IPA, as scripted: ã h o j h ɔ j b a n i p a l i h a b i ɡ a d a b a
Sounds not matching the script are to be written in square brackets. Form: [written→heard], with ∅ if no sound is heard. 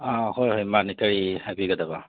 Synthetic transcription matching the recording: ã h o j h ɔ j [b→m] a n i [p→k] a [l→ɹ] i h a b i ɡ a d a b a